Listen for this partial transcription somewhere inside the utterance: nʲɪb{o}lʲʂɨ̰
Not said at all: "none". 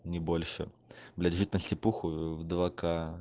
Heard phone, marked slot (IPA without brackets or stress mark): o